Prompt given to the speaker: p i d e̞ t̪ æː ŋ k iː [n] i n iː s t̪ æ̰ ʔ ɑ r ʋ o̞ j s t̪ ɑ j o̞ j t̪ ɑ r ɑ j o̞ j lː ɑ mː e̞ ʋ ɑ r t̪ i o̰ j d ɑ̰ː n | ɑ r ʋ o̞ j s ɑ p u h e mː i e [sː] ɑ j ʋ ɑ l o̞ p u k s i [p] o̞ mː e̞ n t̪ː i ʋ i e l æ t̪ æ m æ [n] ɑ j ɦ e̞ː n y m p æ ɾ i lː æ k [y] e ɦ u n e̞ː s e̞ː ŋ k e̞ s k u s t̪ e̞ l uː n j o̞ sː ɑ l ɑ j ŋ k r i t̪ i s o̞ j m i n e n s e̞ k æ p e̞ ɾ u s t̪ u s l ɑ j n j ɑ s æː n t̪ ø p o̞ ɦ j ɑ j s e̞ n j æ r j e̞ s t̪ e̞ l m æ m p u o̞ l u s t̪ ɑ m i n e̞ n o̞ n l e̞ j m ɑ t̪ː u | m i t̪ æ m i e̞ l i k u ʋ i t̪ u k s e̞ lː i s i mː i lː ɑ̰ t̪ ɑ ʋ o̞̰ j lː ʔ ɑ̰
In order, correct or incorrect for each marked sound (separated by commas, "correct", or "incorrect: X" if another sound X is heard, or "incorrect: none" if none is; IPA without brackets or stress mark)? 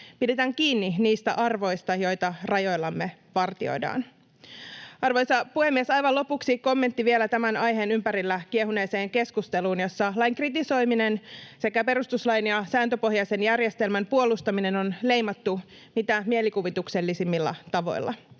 incorrect: nː, incorrect: s, incorrect: k, correct, incorrect: i